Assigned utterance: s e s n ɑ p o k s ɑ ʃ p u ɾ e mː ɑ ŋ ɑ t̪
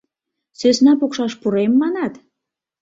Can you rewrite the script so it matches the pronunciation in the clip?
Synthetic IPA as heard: s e s n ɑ p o k ʃ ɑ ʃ p u ɾ e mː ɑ n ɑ t̪

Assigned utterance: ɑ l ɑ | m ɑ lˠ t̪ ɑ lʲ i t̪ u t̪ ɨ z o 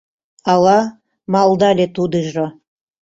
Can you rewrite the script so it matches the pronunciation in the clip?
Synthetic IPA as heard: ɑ l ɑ | m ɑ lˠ d̪ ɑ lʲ e t̪ u d̪ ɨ ʒ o

